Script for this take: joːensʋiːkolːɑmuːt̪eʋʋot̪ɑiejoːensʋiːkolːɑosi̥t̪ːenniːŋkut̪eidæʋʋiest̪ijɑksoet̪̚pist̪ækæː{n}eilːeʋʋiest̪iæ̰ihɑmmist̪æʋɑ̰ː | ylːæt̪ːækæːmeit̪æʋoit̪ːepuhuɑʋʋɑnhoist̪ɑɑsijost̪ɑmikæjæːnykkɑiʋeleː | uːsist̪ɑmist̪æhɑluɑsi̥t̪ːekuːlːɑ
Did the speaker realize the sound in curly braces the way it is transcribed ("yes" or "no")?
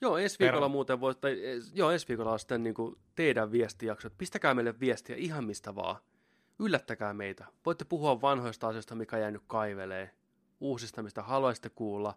no